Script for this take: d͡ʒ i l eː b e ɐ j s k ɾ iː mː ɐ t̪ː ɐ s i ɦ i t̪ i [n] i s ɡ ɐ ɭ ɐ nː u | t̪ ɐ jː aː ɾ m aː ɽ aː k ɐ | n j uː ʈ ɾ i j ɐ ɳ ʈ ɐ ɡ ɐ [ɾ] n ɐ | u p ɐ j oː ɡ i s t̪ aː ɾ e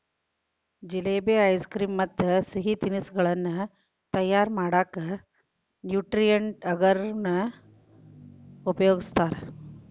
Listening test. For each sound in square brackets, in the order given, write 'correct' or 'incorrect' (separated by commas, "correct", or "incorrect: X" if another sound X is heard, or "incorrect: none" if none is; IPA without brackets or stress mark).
correct, correct